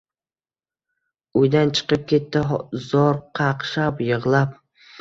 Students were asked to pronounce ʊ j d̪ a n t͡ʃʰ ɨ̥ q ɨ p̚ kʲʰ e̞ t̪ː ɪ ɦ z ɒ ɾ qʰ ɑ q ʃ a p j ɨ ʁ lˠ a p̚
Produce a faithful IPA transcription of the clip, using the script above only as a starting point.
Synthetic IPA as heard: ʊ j d̪ a n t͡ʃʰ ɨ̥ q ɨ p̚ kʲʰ e̞ t̪ː ɪ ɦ z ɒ ɾ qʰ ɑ q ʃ a p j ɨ ʁ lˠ a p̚